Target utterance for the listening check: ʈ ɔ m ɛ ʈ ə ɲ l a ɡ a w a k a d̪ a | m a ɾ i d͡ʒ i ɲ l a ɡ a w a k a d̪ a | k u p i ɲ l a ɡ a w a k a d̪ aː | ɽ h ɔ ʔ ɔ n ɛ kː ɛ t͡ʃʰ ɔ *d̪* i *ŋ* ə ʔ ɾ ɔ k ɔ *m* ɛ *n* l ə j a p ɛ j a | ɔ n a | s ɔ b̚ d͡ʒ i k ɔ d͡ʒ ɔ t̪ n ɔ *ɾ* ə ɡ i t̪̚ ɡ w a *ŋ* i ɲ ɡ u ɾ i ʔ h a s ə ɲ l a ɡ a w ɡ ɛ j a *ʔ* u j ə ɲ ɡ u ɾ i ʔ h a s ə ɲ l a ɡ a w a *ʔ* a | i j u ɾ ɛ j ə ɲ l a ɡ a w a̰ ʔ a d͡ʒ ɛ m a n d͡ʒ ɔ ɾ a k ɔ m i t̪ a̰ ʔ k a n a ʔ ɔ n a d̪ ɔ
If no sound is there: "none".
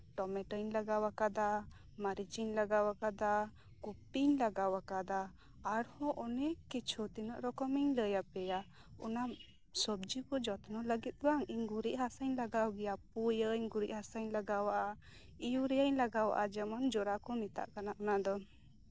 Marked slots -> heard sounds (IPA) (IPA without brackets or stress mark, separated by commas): t̪, n, m, ɲ, l, ŋ, p, ʔ